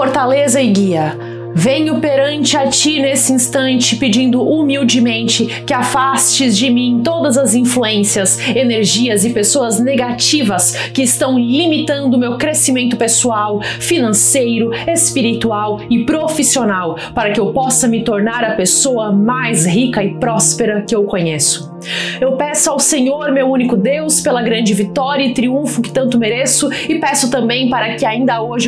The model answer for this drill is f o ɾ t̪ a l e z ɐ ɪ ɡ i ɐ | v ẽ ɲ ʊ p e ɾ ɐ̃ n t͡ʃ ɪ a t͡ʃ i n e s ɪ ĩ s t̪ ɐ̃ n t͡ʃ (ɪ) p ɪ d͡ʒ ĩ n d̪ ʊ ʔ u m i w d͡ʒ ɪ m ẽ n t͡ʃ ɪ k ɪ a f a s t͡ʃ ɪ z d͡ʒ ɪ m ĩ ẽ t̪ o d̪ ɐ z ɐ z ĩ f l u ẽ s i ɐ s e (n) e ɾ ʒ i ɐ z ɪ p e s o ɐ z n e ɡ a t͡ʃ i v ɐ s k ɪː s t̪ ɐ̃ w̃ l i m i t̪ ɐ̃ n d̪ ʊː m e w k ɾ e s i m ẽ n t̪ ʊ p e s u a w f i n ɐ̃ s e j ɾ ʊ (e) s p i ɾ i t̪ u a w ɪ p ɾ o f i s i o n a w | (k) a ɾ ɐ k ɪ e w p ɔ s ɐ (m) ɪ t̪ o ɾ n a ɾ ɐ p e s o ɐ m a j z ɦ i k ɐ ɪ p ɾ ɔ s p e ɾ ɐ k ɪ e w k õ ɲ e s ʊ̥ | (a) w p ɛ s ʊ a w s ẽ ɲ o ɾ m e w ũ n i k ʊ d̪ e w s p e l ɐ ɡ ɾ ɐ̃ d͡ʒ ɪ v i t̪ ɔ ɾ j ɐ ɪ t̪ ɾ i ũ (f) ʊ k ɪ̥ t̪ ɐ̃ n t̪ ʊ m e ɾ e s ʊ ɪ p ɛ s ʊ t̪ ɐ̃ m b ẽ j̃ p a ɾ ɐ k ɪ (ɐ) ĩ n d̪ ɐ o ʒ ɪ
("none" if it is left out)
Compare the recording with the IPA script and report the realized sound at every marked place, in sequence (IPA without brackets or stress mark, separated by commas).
ɪ, n, e, p, m, e, f, a